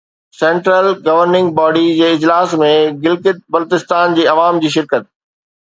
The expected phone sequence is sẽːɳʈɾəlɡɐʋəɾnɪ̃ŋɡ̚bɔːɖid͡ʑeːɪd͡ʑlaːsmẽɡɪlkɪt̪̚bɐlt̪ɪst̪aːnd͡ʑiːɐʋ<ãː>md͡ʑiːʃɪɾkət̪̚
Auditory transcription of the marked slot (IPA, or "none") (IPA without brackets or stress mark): aː